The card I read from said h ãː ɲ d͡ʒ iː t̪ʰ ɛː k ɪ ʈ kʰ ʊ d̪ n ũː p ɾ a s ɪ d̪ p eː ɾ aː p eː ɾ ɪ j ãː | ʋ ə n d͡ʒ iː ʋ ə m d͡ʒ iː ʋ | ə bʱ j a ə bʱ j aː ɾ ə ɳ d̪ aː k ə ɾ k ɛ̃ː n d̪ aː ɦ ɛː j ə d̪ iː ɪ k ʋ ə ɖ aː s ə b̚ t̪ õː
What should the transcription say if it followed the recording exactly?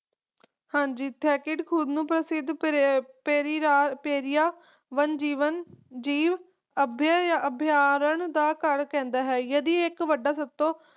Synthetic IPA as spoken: h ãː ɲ d͡ʒ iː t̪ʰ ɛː k ɪ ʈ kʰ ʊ d̪ n ũː p ɾ ə s ɪ d̪ p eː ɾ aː p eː ɾ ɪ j aː | ʋ ə n d͡ʒ iː ʋ ə n d͡ʒ iː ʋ | ə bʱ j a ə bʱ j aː ɾ ə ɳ d̪ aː k ə ɾ k ɛ̃ː n d̪ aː ɦ ɛː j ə d̪ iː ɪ k ʋ ə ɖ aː s ə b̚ t̪ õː